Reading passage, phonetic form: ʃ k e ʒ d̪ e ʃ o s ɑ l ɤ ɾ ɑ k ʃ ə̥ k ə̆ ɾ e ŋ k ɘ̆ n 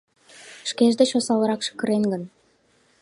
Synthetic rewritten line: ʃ k e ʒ d̪ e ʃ o s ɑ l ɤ ɾ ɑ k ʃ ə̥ k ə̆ ɾ e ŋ ɡ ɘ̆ n